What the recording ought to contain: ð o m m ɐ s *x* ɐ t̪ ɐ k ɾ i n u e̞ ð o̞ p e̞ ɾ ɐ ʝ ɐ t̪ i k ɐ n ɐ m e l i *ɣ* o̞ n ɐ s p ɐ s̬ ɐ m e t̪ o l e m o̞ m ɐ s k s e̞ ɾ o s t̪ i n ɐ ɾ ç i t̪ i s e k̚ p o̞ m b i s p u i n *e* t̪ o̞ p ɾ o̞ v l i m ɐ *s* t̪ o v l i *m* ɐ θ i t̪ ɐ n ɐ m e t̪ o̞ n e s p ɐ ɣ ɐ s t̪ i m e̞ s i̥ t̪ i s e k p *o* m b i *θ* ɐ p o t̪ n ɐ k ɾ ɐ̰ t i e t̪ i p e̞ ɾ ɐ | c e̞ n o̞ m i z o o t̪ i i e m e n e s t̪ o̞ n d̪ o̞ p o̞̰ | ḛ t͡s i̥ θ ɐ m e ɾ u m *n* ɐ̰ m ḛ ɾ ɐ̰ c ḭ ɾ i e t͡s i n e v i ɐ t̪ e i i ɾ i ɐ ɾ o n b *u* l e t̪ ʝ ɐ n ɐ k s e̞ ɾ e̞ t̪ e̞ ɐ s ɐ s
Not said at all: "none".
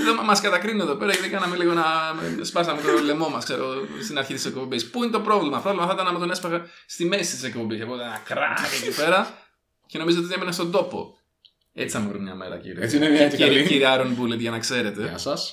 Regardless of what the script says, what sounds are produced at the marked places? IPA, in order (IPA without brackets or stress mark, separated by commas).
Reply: k, ɣ, e, f, m, o, s, ɲ, u